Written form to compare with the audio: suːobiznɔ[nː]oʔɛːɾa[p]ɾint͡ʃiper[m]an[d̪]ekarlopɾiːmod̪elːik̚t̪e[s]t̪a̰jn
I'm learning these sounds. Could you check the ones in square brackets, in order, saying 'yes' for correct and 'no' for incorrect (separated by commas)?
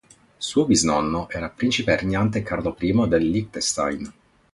yes, yes, no, no, yes